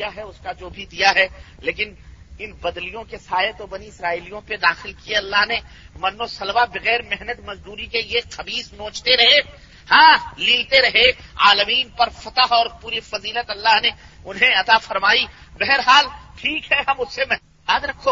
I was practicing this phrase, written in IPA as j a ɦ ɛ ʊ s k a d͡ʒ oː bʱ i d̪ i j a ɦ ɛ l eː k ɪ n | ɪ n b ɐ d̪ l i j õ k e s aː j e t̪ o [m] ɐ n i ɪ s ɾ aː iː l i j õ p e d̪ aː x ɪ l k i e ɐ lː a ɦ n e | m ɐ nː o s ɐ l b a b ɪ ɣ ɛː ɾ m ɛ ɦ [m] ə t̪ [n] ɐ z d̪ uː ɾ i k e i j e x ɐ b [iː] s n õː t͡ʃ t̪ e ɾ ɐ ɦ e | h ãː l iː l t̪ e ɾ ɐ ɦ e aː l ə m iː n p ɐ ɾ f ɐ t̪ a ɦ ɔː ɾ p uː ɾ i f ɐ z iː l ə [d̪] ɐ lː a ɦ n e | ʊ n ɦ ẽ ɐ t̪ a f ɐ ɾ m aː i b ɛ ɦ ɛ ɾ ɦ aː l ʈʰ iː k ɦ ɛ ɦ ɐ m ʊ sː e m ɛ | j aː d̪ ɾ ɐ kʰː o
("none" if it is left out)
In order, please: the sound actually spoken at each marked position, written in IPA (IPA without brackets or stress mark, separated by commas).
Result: b, n, m, iː, t̪